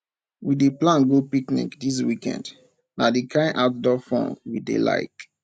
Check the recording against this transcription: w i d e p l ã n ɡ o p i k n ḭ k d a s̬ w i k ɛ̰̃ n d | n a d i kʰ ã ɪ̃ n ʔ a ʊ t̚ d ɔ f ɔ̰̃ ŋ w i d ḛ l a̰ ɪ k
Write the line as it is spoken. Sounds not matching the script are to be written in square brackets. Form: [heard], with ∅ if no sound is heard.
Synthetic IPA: w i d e p l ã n ɡ o p i k n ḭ k d [i] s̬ w i k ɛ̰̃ n d | n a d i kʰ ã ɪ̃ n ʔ a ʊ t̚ d ɔ f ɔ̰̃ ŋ w i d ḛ l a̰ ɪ k

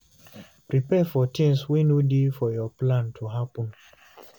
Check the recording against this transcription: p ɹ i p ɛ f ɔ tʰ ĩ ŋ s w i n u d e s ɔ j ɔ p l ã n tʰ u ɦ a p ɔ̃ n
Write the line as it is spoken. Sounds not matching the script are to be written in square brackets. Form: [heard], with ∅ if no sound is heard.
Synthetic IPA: p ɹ i p ɛ f ɔ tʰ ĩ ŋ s w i n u d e [f] ɔ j ɔ p l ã n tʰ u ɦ a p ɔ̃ n

